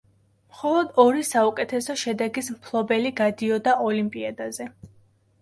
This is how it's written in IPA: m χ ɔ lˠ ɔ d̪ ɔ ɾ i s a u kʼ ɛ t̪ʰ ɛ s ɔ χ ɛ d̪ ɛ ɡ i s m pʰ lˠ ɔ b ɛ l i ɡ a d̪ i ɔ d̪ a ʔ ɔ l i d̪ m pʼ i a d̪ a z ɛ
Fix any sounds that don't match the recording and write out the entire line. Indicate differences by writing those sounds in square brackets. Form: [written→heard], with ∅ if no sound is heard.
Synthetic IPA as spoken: m χ ɔ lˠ ɔ d̪ ɔ ɾ i s a u kʼ ɛ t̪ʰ ɛ s ɔ [χ→ʃ] ɛ d̪ ɛ ɡ i s m pʰ lˠ ɔ b ɛ l i ɡ a d̪ i ɔ d̪ a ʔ ɔ l i [d̪→∅] m pʼ i a d̪ a z ɛ